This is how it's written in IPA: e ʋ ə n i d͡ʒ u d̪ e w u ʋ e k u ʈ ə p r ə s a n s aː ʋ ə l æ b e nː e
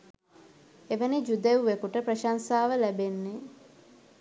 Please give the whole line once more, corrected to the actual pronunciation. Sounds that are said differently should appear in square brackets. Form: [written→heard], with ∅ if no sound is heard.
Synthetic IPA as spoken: e ʋ ə n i d͡ʒ u d̪ e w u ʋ e k u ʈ ə p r ə [s→ʃ] a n s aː ʋ ə l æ b e nː e

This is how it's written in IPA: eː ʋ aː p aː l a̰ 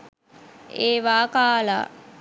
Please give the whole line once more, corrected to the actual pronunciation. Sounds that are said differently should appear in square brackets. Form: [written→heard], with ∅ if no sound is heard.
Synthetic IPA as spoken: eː ʋ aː [p→k] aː l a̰

